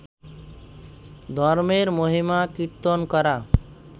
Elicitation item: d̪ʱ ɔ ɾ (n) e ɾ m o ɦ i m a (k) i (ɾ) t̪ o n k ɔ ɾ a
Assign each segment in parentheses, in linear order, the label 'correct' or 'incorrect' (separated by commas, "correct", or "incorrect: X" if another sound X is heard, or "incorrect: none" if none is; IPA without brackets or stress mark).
incorrect: m, correct, correct